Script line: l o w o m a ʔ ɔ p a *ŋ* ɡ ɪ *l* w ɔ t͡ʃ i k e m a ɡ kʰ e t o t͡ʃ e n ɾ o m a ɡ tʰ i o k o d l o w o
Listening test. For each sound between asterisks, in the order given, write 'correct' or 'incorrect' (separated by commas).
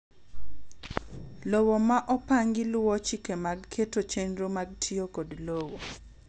correct, correct